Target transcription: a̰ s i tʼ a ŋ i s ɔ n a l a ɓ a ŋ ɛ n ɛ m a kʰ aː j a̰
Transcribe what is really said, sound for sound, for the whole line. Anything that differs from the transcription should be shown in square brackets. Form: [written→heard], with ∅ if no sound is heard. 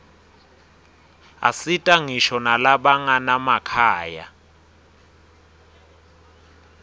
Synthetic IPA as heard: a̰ s i tʼ a ŋ i [s→ʃ] ɔ n a l a ɓ a ŋ [ɛ→a] n [ɛ→a] m a kʰ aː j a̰